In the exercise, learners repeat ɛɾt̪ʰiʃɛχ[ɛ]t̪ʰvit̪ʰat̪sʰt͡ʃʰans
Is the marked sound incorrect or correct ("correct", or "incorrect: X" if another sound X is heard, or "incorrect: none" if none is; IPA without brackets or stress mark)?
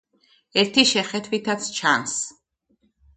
correct